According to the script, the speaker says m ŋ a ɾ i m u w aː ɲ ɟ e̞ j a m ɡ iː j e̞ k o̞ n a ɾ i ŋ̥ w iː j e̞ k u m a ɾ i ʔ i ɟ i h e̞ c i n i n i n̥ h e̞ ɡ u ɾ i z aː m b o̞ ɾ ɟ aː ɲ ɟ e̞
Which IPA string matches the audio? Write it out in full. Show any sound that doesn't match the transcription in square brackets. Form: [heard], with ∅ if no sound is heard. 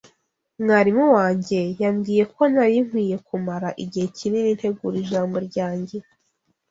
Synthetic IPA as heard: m ŋ a ɾ i m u w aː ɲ ɟ e̞ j a m ɡ iː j e̞ k o̞ n a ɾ i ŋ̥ w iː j e̞ k u m a ɾ [a] ʔ i ɟ i h e̞ c i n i n i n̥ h e̞ ɡ u ɾ i [ʒ] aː m b o̞ ɾ ɟ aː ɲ ɟ e̞